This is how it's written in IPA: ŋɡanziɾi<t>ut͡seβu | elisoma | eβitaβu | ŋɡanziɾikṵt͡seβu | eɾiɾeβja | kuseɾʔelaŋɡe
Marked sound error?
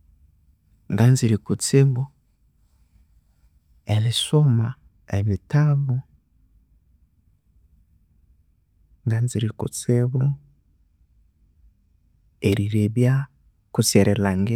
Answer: yes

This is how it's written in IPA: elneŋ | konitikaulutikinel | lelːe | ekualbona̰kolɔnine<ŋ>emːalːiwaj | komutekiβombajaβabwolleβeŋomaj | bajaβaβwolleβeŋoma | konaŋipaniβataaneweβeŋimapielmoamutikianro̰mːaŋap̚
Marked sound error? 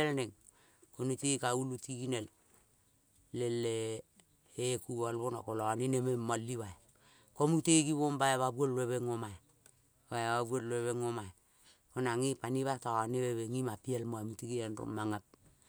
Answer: yes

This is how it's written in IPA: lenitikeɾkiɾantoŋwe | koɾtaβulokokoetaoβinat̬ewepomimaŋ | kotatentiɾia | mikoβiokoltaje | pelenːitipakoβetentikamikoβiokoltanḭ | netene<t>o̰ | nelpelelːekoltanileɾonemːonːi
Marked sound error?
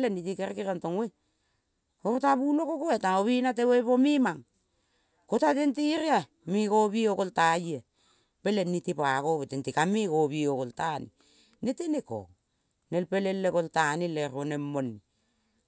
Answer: yes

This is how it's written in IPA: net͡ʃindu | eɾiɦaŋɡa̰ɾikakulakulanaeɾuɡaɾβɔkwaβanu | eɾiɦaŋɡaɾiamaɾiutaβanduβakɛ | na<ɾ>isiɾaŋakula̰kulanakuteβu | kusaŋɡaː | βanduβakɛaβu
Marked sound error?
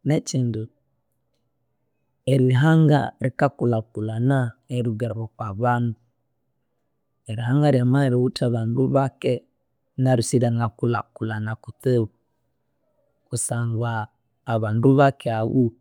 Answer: no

